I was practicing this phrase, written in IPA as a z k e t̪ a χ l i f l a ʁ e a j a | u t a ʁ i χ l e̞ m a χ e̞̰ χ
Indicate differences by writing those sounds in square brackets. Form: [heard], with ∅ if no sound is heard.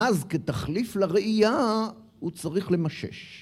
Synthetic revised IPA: a z k e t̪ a χ l i f l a ʁ e [i] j a | u [t͡s] a ʁ i χ l e̞ m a [ʃ] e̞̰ [ʃ]